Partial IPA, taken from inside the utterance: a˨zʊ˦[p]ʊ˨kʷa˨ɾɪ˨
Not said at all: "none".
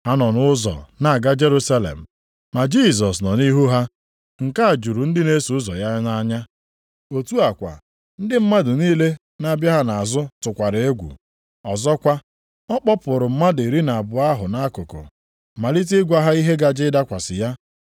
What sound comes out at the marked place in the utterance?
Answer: t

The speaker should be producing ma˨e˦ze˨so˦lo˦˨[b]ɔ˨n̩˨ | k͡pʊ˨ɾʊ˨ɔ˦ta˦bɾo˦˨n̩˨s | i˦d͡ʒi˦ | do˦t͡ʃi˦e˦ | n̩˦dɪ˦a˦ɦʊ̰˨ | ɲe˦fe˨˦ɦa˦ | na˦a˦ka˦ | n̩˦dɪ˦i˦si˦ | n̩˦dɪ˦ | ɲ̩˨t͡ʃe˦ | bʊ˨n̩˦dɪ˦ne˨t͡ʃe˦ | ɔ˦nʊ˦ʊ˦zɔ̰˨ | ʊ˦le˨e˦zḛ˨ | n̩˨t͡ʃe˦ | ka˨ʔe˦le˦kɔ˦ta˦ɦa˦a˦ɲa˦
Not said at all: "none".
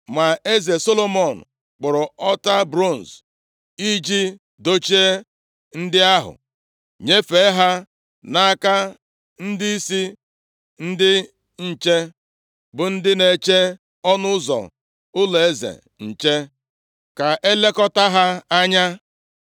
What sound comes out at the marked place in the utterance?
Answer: m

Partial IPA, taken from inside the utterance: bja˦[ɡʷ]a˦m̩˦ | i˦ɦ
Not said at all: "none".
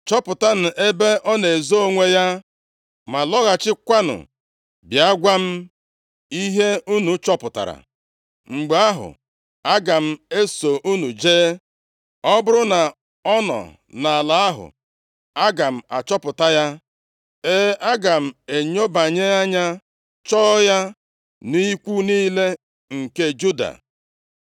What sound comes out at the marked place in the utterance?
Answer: ɡʷ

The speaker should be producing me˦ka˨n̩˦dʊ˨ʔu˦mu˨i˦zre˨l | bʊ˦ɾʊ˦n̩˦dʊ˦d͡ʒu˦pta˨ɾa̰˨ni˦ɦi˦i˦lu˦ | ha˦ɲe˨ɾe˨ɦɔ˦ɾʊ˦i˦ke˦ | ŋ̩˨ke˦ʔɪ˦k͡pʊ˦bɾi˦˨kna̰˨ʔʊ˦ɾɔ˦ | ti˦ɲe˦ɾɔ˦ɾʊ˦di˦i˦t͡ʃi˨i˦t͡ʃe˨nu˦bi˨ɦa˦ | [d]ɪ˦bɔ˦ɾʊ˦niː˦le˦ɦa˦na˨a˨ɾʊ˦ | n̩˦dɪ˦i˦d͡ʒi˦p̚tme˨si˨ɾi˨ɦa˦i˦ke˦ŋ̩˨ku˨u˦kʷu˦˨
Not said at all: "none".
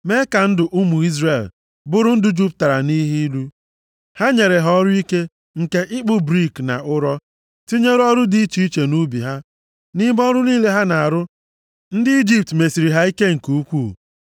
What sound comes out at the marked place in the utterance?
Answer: n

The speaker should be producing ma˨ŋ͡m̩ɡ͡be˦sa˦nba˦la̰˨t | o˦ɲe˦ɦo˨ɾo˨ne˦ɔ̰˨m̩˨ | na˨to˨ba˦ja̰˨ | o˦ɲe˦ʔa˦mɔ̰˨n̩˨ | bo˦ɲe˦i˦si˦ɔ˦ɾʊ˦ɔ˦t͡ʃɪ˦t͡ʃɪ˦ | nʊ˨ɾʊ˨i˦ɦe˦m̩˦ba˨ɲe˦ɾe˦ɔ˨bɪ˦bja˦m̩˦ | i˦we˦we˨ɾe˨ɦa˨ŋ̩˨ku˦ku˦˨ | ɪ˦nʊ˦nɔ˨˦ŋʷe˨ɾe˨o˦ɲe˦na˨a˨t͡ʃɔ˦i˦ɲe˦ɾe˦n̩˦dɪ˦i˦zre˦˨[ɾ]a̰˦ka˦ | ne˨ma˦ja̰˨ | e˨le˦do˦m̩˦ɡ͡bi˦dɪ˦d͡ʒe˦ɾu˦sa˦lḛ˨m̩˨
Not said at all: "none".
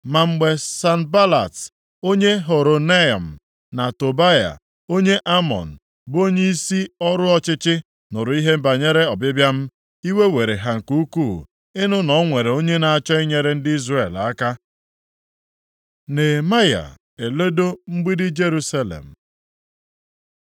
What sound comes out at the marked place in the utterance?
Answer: l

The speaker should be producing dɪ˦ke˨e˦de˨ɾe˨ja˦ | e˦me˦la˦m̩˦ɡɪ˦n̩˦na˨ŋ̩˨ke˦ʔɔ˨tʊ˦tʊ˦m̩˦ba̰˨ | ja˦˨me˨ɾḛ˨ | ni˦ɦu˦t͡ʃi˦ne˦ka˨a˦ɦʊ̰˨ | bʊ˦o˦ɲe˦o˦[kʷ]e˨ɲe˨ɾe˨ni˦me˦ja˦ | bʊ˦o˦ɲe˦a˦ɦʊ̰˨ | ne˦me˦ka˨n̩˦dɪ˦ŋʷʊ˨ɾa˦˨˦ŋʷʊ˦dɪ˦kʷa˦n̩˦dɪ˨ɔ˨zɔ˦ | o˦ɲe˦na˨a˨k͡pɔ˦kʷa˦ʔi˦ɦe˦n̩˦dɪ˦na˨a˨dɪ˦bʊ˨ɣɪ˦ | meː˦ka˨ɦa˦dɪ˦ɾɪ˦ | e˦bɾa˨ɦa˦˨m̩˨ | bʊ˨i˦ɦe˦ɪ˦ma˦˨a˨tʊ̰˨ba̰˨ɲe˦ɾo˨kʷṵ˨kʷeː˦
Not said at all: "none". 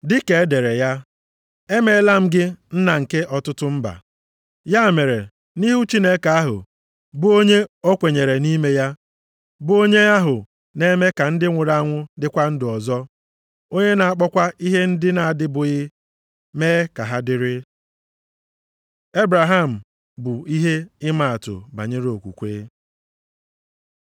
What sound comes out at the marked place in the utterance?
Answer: kʷ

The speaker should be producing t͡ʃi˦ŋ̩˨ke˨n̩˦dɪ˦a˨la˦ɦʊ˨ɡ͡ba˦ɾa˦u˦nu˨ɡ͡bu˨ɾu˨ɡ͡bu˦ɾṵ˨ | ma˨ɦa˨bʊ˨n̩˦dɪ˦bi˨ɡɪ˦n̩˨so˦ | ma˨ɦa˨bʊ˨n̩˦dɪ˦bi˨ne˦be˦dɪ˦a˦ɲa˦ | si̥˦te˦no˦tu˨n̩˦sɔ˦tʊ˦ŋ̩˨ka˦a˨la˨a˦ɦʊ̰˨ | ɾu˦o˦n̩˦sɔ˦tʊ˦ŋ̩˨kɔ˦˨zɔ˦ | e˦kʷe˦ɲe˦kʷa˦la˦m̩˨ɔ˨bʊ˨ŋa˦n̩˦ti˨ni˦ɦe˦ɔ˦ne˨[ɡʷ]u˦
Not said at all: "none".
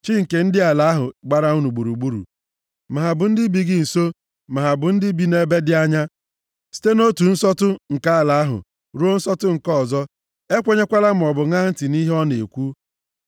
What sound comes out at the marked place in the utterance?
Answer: kʷ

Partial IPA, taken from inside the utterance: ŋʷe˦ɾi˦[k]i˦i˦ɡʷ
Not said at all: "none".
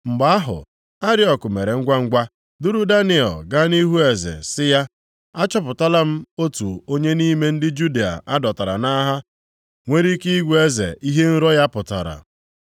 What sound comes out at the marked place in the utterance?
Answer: k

